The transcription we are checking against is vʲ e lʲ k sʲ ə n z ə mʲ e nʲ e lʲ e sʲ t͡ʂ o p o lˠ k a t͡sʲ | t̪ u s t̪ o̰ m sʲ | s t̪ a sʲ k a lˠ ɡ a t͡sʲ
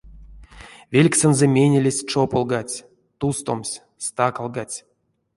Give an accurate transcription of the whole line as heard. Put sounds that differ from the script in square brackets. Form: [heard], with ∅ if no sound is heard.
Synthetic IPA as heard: vʲ e lʲ k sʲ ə n z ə mʲ e nʲ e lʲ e sʲ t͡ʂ o p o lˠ [ɡ] a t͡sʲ | t̪ u s t̪ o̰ m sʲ | s t̪ a [∅] k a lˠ ɡ a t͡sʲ